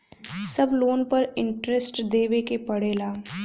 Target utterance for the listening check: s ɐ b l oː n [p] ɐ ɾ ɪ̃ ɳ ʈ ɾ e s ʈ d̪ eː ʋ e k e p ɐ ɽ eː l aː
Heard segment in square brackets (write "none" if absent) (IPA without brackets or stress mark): p